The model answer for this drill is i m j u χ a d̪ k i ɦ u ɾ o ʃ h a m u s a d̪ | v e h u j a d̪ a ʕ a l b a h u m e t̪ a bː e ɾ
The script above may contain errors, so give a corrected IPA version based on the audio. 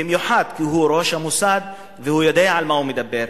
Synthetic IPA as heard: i m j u ħ a d̪ k i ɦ u ɾ o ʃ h a m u s a d̪ | v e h u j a d̪ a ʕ a l m a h u m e d̪ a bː e ɾ